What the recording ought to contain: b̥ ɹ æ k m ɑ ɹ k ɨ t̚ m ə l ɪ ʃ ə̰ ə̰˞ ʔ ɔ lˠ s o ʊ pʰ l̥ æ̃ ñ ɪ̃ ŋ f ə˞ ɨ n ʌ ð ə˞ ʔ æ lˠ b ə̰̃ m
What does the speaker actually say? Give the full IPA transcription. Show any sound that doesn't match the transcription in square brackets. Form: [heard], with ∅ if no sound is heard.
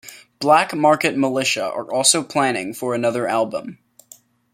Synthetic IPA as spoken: b̥ [l] æ k m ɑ ɹ k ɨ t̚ m ə l ɪ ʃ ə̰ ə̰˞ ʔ ɔ lˠ s o ʊ pʰ l̥ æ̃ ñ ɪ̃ ŋ f ə˞ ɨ n ʌ ð ə˞ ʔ æ lˠ b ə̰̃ m

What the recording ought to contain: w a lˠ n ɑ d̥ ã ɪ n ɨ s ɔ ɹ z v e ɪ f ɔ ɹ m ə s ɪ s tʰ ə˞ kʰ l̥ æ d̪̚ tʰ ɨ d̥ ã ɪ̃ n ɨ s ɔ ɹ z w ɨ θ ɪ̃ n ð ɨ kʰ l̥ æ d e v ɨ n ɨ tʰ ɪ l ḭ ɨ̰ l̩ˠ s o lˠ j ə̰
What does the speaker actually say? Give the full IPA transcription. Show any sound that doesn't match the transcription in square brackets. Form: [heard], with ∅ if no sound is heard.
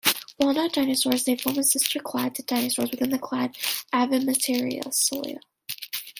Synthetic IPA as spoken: w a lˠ n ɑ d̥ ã ɪ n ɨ s ɔ ɹ z [ð] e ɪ f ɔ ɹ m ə s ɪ s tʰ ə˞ kʰ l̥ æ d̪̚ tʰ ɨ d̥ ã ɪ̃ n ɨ s ɔ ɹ z w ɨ θ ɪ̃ n ð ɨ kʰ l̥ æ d [æ] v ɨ [m] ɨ tʰ ɪ [ɹ] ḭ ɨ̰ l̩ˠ s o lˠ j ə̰

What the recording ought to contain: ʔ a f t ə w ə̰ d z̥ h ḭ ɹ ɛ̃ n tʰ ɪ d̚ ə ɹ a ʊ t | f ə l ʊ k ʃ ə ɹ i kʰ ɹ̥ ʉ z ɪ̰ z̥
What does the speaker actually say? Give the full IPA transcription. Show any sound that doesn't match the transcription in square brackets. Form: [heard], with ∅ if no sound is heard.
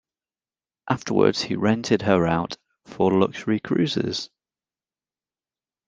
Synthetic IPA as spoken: ʔ a f t ə w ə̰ d z̥ h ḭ ɹ ɛ̃ n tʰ ɪ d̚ ə ɹ a ʊ t | f ə l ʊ k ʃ ə ɹ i kʰ ɹ̥ [ʉː] z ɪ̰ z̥

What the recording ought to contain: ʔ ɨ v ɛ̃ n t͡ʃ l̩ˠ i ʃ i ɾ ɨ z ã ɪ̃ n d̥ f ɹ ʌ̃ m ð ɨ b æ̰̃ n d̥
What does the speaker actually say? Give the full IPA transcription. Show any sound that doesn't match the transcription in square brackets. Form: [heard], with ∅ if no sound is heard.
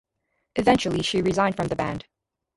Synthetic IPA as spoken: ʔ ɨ v ɛ̃ n t͡ʃ l̩ˠ i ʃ i [ɹ] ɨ z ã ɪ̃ n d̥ f ɹ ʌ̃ m ð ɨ b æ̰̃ n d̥

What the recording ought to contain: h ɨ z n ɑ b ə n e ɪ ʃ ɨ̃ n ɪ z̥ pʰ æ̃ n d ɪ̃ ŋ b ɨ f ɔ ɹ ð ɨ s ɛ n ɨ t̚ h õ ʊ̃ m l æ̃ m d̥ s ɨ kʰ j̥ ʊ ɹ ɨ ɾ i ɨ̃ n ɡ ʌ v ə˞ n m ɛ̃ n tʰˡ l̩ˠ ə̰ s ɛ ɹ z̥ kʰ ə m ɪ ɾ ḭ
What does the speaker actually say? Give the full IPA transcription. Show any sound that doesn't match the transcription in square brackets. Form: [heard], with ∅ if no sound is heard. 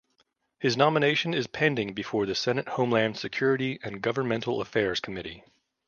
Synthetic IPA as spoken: h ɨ z n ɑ [m] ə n e ɪ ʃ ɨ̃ n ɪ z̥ pʰ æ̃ n d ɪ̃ ŋ b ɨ f ɔ ɹ ð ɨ s ɛ n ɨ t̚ h õ ʊ̃ m l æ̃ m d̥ s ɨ kʰ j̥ ʊ ɹ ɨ ɾ i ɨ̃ n ɡ ʌ v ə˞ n m ɛ̃ n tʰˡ l̩ˠ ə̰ [f] ɛ ɹ z̥ kʰ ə m ɪ ɾ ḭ

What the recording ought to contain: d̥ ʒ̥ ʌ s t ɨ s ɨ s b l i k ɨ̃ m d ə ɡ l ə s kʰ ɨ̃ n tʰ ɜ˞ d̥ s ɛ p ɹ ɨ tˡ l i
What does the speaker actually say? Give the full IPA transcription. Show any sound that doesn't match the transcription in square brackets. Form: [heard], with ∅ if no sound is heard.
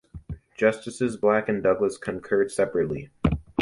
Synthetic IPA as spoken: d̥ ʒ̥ ʌ s t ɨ s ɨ [z] b l [æ] k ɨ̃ [n] d [ʌ] ɡ l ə s kʰ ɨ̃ n [kʰ] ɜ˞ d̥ s ɛ p ɹ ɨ tˡ l i

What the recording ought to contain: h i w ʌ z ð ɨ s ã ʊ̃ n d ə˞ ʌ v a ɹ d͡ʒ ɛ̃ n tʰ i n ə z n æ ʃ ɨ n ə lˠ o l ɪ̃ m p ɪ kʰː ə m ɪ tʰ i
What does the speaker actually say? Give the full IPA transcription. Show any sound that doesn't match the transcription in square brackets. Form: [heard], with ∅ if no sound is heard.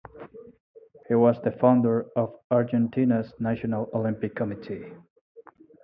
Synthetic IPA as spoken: h i w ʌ z ð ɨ [f] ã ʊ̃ n d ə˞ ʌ v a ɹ d͡ʒ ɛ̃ n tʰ i n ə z n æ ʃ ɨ n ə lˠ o l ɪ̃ m p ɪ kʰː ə m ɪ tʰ i

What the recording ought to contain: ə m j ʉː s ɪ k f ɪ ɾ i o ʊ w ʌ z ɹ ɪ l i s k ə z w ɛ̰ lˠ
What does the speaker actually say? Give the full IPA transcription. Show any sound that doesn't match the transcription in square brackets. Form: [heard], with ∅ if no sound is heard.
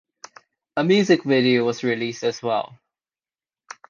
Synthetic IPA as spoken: ə m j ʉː [z] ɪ k [v] ɪ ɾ i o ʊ w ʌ z ɹ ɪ l i s [t] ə z w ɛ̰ lˠ

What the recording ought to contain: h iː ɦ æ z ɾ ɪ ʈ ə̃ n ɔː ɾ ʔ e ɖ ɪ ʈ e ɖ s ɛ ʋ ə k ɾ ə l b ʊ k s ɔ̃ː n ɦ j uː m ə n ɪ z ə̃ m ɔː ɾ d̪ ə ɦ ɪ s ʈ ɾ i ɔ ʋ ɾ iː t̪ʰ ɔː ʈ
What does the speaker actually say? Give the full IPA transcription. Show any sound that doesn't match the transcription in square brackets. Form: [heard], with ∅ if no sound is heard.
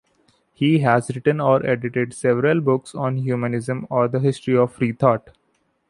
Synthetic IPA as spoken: h iː ɦ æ z ɾ ɪ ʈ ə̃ n ɔː ɾ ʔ e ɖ ɪ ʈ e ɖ s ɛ ʋ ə [∅] ɾ ə l b ʊ k s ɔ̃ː n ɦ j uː m ə n ɪ z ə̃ m ɔː ɾ d̪ ə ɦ ɪ s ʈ ɾ i ɔ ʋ ɾ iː t̪ʰ ɔː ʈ

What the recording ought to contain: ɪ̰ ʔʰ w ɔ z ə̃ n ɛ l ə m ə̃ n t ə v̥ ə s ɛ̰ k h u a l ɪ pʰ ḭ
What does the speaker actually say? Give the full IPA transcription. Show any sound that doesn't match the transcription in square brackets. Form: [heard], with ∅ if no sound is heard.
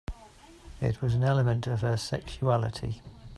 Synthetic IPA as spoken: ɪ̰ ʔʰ w [ɒ] z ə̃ n ɛ l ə m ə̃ n t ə v̥ ə s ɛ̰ k [ʃ] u a l ɪ [tʰ] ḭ

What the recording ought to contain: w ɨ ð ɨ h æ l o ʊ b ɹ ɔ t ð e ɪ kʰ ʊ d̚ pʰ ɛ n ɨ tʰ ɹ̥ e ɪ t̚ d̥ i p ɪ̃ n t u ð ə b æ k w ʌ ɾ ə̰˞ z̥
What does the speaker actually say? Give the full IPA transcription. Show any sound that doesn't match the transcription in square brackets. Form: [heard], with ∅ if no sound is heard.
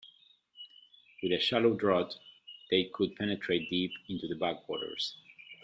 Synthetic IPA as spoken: w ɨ ð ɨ [ʃ] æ l o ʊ [d] ɹ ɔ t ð e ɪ kʰ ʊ d̚ pʰ ɛ n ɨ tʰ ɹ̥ e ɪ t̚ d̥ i p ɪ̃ n t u ð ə b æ k w [ɔ] ɾ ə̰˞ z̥

